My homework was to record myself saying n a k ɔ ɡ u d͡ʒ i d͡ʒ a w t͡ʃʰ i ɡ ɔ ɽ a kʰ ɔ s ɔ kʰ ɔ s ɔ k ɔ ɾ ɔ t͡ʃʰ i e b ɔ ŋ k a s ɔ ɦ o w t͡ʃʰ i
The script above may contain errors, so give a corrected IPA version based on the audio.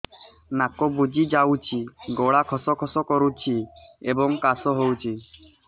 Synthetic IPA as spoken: n a k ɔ b u d͡ʒ i d͡ʒ a w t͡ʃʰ i ɡ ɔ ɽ a kʰ ɔ s ɔ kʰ ɔ s ɔ k ɔ ɾ u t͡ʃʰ i e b ɔ ŋ k a s ɔ ɦ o w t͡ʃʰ i